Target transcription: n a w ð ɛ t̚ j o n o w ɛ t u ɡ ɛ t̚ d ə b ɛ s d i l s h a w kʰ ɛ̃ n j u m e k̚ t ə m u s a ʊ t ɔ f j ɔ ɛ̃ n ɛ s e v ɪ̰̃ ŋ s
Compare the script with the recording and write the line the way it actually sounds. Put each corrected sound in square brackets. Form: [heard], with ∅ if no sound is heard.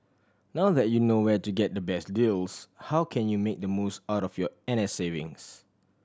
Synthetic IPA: n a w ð ɛ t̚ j [u] n o w ɛ t u ɡ ɛ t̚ d ə b ɛ s d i l s h a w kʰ ɛ̃ n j u m e k̚ [d] ə m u s a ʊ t ɔ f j ɔ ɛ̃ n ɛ s e v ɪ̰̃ ŋ s